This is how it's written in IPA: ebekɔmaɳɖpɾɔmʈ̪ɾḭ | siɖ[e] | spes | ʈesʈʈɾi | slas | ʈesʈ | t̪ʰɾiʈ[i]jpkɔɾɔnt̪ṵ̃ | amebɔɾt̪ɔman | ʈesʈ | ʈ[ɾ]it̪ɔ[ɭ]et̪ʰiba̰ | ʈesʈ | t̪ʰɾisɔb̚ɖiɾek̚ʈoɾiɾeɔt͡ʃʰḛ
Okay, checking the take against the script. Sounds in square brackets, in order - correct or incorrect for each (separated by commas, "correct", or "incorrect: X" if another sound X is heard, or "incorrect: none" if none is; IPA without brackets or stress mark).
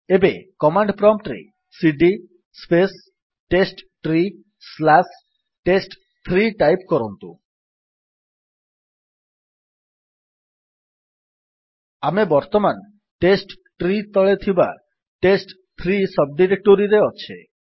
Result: incorrect: i, incorrect: a, correct, correct